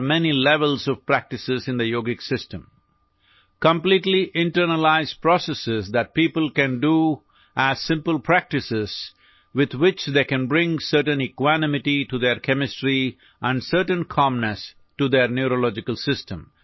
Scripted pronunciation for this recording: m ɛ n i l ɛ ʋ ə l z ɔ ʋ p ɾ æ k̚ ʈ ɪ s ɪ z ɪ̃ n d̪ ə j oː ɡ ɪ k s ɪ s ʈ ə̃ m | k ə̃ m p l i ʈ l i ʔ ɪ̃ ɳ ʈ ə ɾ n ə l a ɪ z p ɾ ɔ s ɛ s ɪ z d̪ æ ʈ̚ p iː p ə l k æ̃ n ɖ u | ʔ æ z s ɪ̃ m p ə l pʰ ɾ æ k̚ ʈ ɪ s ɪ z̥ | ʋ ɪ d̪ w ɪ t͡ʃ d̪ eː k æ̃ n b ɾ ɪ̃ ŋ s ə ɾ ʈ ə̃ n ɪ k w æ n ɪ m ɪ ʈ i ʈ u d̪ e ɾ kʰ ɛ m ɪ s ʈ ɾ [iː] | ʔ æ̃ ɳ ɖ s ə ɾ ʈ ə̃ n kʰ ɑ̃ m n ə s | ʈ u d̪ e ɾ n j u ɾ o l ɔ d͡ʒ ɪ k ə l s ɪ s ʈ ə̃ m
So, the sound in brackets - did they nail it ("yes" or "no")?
no